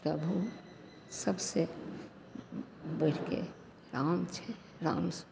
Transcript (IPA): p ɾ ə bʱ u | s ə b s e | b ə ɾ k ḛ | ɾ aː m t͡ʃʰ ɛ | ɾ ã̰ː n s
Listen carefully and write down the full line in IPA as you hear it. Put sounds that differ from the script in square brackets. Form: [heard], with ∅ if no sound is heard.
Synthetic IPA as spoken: p ɾ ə bʱ u | s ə b s e | b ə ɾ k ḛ | ɾ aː m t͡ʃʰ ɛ | ɾ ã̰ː [m] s

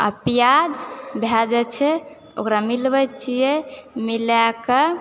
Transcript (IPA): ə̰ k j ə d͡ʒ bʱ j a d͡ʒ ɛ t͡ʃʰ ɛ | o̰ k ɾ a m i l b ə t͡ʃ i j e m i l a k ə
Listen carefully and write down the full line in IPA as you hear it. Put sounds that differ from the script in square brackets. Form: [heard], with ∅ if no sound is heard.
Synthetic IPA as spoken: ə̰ [p] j [a] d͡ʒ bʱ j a d͡ʒ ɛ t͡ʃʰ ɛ | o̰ k ɾ a m i l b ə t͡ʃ i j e m i l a k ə

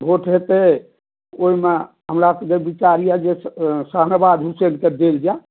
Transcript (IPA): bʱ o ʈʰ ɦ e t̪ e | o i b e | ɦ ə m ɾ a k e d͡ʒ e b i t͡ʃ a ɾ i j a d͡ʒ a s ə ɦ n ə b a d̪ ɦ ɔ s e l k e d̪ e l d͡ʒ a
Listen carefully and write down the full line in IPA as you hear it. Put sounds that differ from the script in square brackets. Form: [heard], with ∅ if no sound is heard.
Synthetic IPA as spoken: bʱ o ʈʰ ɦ e t̪ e | o i [m] e | ɦ ə m ɾ a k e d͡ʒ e b i t͡ʃ a ɾ i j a d͡ʒ [e] s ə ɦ n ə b a d̪ ɦ [u] s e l k e d̪ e l d͡ʒ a

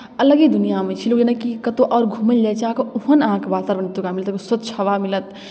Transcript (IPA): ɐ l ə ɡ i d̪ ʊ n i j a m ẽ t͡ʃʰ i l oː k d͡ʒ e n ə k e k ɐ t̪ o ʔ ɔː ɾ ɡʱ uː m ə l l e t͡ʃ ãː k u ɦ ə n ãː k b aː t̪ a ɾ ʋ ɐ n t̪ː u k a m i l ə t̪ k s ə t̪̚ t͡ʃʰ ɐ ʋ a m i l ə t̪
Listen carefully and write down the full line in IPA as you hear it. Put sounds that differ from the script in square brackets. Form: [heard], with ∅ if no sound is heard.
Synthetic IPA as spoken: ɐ l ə ɡ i d̪ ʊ n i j a m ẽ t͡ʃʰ i l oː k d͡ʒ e n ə k [i] k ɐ t̪ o ʔ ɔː ɾ ɡʱ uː m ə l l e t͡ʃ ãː k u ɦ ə n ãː k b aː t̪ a ɾ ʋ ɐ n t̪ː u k a m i l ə t̪ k s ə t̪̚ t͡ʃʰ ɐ ʋ a m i l ə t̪

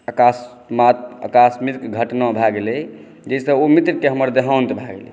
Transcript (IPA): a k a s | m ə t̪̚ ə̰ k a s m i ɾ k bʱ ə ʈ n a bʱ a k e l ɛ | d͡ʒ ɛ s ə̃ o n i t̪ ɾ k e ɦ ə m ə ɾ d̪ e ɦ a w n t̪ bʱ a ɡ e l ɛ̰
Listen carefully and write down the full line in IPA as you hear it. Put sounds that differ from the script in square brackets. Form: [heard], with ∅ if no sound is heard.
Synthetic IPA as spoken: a k a s | m [a] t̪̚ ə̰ k a s m i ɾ k [ɡʱ] ə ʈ n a bʱ a [ɡ] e l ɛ | d͡ʒ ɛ s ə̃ o [m] i t̪ ɾ k e ɦ ə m ə ɾ d̪ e ɦ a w n t̪ bʱ a ɡ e l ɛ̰

